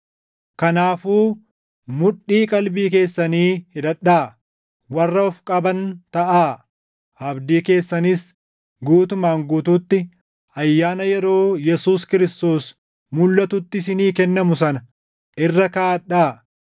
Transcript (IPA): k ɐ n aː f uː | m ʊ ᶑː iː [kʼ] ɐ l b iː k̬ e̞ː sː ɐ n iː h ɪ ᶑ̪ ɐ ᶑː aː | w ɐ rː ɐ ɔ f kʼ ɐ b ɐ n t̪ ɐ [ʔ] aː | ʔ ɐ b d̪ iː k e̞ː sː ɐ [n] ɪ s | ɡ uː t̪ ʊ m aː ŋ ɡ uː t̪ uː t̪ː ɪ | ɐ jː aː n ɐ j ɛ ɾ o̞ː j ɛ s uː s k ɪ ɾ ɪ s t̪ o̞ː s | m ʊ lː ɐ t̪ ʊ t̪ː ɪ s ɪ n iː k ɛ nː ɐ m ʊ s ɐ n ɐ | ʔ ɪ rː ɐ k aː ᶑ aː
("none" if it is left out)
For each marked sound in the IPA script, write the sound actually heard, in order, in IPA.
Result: kʼ, ʔ, n

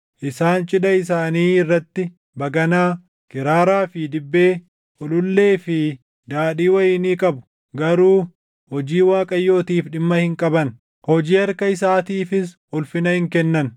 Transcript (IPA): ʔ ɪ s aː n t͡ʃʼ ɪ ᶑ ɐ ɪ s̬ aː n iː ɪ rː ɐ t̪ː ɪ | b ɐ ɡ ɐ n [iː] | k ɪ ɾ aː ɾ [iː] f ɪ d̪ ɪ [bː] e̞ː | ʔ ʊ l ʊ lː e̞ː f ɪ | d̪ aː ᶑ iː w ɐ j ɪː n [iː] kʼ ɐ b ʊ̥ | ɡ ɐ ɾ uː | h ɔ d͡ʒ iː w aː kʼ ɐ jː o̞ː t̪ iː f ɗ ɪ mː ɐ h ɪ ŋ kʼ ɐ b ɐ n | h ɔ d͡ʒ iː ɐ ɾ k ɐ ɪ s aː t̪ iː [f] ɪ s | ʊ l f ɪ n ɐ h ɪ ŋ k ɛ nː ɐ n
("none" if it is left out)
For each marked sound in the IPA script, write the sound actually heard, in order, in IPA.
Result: aː, aː, bː, iː, f

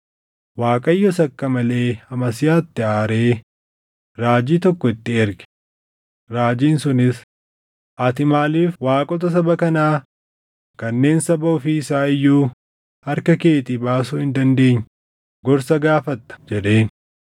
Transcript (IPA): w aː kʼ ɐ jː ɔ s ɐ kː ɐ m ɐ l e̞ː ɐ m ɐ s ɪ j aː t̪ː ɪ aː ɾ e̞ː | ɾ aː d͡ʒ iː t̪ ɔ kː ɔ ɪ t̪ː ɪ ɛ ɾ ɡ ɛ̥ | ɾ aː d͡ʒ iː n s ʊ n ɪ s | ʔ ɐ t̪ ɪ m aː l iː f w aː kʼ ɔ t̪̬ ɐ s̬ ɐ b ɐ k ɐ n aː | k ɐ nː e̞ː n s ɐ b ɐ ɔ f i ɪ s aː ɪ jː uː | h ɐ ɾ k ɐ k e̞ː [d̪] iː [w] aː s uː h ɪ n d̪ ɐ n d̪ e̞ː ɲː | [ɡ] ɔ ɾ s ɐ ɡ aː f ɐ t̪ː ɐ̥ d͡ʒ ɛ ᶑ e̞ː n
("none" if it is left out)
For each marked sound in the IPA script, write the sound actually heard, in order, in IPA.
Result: t̪, b, ɡ

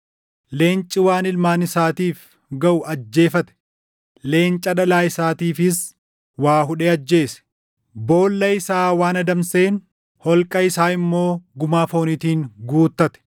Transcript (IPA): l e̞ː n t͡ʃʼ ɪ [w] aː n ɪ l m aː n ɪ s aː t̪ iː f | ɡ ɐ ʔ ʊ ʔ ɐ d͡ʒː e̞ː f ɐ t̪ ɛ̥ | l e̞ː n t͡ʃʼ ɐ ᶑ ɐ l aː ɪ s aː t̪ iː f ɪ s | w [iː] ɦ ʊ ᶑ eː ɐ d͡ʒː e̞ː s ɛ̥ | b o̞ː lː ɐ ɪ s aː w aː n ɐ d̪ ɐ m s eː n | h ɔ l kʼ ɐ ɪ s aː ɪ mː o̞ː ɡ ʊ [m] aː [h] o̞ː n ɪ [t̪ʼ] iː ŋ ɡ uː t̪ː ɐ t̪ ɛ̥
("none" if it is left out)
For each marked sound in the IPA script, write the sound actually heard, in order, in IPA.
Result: w, aː, m, f, t̪

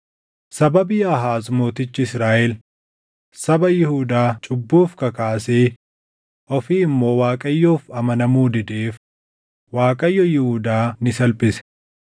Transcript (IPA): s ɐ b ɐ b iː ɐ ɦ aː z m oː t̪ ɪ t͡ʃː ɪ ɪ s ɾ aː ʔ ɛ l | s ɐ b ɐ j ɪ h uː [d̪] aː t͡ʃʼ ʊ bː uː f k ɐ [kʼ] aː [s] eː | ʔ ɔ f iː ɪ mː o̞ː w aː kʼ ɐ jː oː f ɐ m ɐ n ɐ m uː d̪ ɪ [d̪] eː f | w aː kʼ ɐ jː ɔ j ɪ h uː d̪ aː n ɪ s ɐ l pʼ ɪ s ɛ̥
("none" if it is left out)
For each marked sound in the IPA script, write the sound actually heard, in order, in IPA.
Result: d̪, k, s, d̪

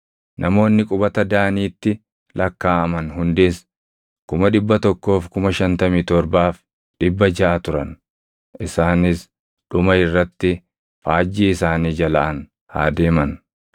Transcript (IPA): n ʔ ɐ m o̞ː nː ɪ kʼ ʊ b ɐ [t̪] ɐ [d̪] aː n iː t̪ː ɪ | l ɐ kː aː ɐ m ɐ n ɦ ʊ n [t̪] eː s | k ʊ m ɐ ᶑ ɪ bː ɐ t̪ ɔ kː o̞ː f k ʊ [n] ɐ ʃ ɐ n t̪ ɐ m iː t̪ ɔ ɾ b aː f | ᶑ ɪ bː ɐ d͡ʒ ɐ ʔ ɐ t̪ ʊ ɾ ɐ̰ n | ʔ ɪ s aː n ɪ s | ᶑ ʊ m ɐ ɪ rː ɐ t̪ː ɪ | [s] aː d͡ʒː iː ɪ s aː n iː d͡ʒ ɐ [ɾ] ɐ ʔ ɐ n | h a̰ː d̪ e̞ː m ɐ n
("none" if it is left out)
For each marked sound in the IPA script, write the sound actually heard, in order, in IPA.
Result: t̪, d̪, d̪, m, f, l

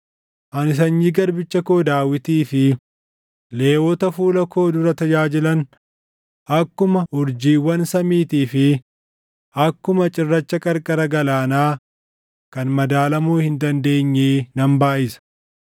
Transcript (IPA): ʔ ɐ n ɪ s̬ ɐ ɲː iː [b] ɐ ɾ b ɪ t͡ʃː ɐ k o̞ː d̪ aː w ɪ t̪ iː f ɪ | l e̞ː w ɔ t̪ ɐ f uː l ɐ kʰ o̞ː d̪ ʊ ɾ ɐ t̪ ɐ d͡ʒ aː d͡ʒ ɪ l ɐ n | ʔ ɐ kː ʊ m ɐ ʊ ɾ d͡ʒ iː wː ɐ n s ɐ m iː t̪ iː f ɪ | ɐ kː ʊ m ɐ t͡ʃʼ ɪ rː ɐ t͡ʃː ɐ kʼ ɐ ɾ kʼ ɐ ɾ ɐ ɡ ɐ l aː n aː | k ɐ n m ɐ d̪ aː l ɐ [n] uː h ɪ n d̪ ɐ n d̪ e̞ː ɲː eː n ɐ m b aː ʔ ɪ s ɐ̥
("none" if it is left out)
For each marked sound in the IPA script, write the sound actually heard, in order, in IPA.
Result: ɡ, m

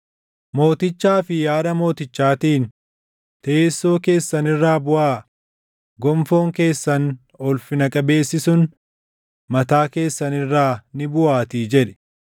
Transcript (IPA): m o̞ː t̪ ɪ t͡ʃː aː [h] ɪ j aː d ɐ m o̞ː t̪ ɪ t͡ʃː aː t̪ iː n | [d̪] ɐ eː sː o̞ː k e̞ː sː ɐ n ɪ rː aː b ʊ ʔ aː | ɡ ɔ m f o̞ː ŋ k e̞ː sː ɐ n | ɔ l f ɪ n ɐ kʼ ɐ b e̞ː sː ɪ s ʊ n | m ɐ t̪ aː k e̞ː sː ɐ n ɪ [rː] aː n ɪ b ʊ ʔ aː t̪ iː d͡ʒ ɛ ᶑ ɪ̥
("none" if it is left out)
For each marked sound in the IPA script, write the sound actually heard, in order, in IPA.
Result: f, t̪, rː

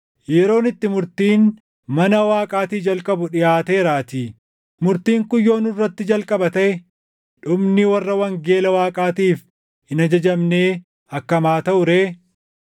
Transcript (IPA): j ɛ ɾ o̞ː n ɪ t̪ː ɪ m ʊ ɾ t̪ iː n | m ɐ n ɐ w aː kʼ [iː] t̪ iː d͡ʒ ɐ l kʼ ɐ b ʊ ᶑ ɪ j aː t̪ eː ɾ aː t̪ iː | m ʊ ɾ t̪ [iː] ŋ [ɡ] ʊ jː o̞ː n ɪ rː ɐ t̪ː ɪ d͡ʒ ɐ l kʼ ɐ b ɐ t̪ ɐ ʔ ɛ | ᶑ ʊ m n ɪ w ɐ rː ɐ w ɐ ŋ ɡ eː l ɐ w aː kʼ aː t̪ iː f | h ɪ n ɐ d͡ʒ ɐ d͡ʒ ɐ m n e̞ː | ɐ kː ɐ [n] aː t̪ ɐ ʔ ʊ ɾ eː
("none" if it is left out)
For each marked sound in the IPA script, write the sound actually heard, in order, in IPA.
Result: aː, iː, k, m

